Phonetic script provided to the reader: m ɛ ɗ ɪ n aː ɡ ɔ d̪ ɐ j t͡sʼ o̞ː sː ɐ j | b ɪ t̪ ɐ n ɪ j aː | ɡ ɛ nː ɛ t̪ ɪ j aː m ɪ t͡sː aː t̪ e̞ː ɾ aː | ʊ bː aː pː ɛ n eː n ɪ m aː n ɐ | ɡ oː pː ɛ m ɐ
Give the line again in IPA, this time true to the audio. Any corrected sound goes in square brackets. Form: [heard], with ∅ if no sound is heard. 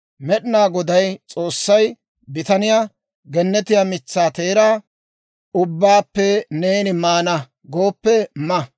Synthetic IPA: m ɛ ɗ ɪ n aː ɡ ɔ d̪ ɐ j t͡sʼ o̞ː sː ɐ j | b ɪ t̪ ɐ n ɪ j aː | ɡ ɛ nː ɛ t̪ ɪ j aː m ɪ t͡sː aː t̪ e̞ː ɾ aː | ʊ bː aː pː ɛ n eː n ɪ m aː n ɐ | ɡ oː pː ɛ m ɐ